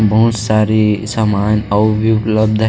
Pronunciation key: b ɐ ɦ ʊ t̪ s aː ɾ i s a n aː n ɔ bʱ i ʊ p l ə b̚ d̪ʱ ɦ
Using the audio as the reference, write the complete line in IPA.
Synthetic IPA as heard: b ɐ ɦ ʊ t̪ s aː ɾ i s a m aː n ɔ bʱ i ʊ p l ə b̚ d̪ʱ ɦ